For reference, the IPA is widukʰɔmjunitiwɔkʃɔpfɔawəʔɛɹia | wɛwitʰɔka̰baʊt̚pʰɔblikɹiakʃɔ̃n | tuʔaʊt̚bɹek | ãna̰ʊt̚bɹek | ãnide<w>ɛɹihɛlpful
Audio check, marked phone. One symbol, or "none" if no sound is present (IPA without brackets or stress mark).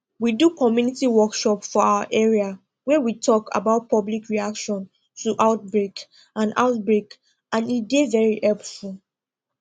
v